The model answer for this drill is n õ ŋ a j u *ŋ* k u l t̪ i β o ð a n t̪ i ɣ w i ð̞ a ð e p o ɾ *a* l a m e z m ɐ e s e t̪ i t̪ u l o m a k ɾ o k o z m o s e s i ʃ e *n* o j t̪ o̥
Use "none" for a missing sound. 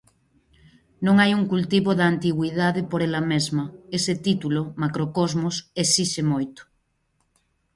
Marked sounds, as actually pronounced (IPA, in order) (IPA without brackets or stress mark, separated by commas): ŋ, e, m